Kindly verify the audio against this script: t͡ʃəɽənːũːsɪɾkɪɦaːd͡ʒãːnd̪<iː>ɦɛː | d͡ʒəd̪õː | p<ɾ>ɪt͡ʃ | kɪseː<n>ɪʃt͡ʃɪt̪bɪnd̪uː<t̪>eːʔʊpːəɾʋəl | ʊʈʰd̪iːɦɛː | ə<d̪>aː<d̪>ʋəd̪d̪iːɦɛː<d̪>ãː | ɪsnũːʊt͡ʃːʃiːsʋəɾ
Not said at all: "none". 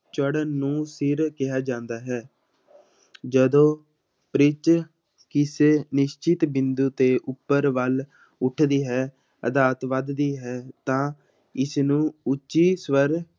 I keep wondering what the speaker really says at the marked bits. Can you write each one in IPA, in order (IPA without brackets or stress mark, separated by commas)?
aː, ɾ, n, t̪, d̪, t̪, t̪